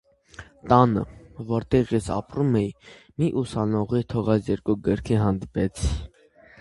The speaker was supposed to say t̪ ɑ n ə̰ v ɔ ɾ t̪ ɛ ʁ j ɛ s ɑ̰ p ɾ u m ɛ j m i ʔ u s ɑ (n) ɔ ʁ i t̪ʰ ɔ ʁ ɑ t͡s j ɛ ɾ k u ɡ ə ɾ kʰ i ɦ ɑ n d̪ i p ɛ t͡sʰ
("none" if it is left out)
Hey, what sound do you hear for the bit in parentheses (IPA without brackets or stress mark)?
n